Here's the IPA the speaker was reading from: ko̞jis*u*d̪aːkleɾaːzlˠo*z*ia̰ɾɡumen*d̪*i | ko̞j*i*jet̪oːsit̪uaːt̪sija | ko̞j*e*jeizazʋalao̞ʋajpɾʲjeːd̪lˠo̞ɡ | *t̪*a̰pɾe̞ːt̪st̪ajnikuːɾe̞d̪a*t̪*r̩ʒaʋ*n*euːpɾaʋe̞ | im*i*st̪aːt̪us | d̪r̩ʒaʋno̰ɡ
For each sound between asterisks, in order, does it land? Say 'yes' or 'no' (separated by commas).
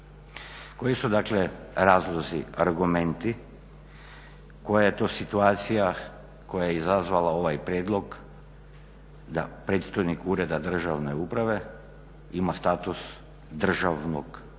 yes, yes, no, no, no, no, no, yes, no